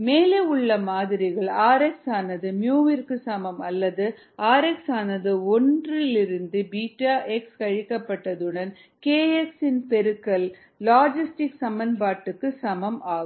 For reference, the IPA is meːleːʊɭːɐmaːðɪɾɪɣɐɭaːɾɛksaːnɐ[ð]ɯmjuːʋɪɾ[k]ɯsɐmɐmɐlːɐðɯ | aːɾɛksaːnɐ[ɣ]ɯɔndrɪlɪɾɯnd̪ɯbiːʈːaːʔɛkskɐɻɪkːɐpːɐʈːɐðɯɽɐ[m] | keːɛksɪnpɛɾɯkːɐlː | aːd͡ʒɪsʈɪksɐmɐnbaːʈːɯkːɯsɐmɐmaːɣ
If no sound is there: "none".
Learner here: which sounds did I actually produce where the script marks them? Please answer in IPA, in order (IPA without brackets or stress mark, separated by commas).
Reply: ð, k, ð, n